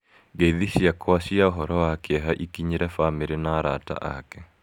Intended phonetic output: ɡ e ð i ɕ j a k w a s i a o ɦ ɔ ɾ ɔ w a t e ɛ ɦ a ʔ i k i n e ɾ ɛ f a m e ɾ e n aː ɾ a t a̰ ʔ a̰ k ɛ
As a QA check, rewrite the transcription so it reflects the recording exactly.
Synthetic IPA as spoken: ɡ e ð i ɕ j a k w a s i a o ɦ ɔ ɾ ɔ w a k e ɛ ɦ a ʔ i k i ɲ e ɾ ɛ f a m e ɾ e n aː ɾ a t a̰ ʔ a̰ k ɛ